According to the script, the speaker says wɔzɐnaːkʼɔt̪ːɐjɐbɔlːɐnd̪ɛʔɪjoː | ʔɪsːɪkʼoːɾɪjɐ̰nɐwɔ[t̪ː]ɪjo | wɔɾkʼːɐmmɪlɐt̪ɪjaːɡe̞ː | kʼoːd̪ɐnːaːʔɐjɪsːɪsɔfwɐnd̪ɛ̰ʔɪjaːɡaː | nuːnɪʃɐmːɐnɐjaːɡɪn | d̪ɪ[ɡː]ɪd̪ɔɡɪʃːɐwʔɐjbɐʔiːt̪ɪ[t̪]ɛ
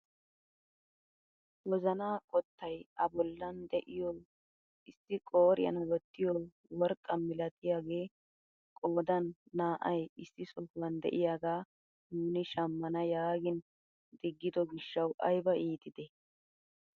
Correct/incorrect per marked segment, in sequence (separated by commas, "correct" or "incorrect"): correct, correct, incorrect